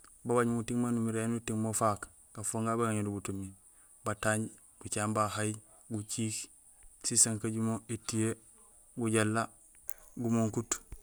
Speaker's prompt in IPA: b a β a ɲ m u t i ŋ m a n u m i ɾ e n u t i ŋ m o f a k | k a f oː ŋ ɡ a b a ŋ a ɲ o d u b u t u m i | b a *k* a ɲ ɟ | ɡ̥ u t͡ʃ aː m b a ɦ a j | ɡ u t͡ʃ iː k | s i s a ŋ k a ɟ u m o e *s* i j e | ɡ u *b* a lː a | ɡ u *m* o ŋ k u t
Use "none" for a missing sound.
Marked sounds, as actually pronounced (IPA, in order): t, t, ɟ, m

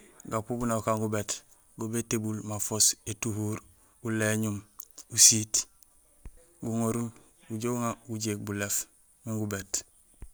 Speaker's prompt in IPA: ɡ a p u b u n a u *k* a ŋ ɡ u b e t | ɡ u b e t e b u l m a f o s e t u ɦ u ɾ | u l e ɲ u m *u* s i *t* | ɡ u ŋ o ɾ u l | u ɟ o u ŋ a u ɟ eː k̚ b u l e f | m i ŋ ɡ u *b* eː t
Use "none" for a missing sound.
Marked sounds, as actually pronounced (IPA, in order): k, u, t, b

